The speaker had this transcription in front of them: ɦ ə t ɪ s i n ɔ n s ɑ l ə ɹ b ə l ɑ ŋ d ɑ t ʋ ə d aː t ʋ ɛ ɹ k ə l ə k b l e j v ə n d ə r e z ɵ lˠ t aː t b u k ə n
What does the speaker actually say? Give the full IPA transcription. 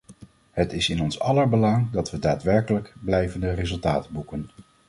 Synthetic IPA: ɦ ə t ɪ s ɪ n ɔ n s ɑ l ə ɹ b ə l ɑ ŋ d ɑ t ʋ ə d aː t ʋ ɛ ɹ k ə l ə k b l ɛ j v ə n d ə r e z ɵ lˠ t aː t b u k ə n